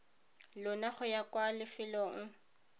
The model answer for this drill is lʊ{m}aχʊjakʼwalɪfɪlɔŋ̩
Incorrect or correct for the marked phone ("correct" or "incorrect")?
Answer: incorrect